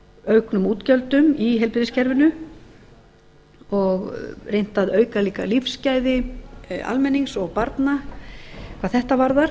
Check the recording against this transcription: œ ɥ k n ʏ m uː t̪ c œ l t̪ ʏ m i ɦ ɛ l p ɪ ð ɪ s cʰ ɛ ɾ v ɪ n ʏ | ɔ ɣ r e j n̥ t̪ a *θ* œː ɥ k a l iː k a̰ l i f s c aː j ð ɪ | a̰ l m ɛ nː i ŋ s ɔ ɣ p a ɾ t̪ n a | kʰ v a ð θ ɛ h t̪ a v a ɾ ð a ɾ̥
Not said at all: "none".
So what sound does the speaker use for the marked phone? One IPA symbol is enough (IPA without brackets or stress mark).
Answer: ð